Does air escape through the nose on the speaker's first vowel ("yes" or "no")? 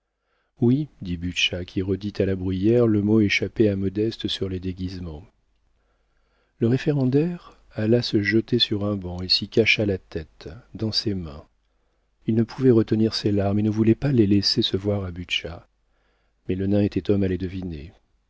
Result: no